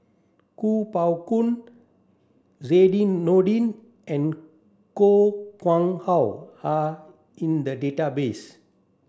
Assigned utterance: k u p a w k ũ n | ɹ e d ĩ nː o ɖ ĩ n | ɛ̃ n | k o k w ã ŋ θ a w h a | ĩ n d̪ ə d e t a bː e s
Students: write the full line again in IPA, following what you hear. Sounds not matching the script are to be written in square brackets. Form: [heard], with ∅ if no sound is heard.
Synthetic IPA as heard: k u p a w k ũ n | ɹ e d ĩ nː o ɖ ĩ n | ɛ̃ n | k o k w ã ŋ [h] a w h a | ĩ n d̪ ə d e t a [b] e s